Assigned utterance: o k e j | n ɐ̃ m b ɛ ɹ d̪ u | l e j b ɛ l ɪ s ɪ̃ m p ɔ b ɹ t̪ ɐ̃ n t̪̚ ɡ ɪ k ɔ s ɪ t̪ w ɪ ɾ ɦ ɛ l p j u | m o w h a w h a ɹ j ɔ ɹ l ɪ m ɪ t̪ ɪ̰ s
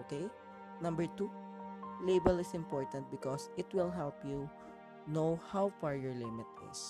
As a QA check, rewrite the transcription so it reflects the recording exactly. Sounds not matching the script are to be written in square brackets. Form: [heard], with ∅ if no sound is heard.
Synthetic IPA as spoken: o k e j | n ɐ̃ m b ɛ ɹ [t̪] u | l e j b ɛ l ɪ s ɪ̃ m p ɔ [∅] ɹ t̪ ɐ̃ n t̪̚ [b] ɪ k ɔ s ɪ t̪ w ɪ [l] ɦ ɛ l p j u | [n] o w h a w [f] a ɹ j ɔ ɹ l ɪ m ɪ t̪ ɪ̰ s